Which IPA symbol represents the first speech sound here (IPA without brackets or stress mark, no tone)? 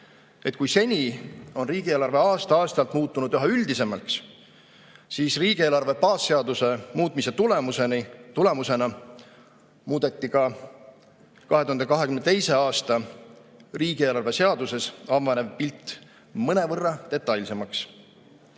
e̞